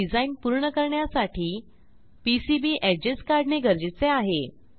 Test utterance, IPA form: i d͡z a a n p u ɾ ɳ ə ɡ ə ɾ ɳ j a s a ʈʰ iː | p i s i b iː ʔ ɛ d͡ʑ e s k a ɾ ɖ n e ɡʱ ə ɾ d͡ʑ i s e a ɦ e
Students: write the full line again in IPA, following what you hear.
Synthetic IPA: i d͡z a i n p u ɾ ɳ ə k ə ɾ ɳ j a s a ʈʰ iː | p i s i b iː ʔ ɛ d͡ʑ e s k a ɾ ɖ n e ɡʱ ə ɾ d͡ʑ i t͡s e a ɦ e

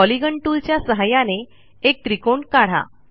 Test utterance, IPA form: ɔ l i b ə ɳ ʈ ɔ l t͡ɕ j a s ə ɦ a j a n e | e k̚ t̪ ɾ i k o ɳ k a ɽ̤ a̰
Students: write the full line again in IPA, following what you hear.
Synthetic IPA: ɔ l i ɡ ə ɳ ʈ u l t͡ɕ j a s ə ɦ a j a n e | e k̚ t̪ ɾ i k o ɳ k a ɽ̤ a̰

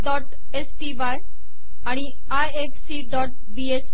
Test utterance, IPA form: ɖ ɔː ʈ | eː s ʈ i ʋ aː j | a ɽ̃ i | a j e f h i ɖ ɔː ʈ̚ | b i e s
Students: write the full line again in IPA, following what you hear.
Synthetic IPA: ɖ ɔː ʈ | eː s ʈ i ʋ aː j | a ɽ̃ i | a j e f s i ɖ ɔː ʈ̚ | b i e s

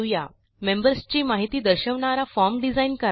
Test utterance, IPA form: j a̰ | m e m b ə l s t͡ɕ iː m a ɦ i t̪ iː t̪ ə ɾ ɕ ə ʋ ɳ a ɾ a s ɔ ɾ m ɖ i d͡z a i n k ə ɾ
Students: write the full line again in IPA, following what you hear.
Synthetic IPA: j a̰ | m e m b ə ɾ s t͡ɕ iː m a ɦ i t̪ iː d̪ ə ɾ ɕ ə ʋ ɳ a ɾ a f ɔ ɾ m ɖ i d͡z a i n k ə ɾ

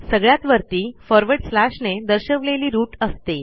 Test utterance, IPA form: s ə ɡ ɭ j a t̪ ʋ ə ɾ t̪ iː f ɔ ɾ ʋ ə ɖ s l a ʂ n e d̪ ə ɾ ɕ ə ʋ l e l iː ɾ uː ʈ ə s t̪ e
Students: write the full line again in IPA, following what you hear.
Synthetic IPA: s ə ɡ ɭ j a t̪ ʋ ə ɾ t̪ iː f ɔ ɾ ʋ ə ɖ s l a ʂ n e d̪ ə ɾ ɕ ə ʋ l e l iː ɾ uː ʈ ə s t̪ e

